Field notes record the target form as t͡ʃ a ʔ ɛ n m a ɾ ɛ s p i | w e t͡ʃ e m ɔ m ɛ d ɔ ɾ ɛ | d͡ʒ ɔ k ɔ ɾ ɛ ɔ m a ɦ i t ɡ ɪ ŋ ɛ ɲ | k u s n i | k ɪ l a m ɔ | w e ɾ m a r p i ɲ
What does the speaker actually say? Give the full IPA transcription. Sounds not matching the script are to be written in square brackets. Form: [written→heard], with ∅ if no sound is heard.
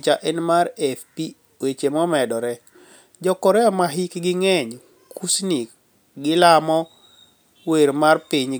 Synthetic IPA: t͡ʃ a ʔ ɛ n m a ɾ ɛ [s→f] p i | w e t͡ʃ e m ɔ m ɛ d ɔ ɾ ɛ | d͡ʒ ɔ k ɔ ɾ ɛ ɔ m a ɦ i [t→k] ɡ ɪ ŋ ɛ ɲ | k u s n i | [k→ɡ] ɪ l a m ɔ | w e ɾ m a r p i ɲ